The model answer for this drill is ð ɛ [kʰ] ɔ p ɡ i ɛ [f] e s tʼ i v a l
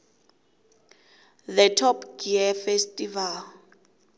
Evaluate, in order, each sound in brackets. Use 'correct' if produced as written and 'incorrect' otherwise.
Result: incorrect: tʰ, correct

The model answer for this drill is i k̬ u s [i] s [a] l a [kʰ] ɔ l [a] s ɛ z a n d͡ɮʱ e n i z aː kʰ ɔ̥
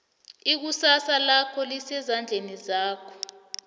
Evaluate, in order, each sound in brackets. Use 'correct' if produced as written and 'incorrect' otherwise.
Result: incorrect: a, correct, correct, incorrect: i

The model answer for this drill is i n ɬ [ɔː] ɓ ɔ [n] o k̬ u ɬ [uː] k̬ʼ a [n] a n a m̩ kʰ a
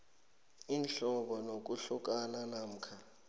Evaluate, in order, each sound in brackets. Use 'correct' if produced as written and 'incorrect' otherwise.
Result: incorrect: ɔ, correct, incorrect: u, correct

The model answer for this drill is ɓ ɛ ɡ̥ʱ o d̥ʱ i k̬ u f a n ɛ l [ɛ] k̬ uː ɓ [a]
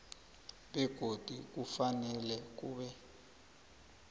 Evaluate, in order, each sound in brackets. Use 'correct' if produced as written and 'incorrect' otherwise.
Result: correct, incorrect: ɛ

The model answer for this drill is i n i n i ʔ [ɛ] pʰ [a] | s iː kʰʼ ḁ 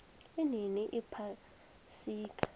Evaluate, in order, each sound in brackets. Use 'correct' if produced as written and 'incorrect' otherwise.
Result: incorrect: i, correct

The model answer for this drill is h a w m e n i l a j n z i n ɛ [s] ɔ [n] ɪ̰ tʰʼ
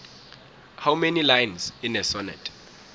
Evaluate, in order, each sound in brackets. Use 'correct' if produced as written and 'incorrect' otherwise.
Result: correct, correct

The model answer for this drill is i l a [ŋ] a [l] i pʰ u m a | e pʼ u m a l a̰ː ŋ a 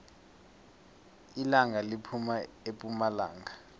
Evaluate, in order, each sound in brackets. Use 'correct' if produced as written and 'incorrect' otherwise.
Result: correct, correct

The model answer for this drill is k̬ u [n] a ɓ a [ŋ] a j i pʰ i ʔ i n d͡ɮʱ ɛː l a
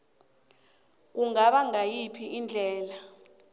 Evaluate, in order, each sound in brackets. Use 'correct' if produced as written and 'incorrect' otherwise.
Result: incorrect: ŋ, correct

